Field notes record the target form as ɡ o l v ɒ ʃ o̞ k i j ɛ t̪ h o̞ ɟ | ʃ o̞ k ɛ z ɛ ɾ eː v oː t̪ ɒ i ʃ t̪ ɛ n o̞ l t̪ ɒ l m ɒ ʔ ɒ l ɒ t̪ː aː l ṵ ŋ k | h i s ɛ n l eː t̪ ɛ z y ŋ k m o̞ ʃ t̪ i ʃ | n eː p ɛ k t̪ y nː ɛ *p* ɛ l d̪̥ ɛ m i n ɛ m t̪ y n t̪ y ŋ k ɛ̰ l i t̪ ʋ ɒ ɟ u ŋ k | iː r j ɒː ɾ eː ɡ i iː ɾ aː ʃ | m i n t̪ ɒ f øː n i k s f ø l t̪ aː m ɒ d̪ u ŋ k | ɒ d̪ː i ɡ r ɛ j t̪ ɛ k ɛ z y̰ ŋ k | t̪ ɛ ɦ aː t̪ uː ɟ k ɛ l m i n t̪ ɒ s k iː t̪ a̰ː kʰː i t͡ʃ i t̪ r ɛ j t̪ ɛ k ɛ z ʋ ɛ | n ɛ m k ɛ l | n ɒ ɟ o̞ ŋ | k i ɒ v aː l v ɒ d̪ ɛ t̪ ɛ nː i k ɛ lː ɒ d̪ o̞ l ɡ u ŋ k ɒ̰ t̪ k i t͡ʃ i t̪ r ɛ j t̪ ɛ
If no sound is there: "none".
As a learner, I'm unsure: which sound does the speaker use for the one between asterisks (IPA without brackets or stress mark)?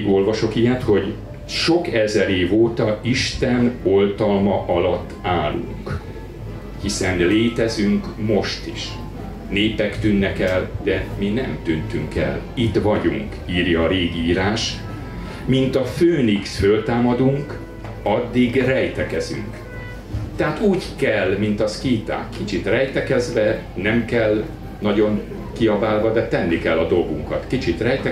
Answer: k